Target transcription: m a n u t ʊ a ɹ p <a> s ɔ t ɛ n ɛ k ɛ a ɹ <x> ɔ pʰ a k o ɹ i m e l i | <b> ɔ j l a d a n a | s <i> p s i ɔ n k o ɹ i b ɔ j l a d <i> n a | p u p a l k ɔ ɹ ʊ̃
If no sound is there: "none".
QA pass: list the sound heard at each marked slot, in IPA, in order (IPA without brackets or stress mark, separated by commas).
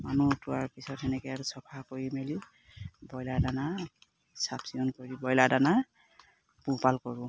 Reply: i, s, b, a, a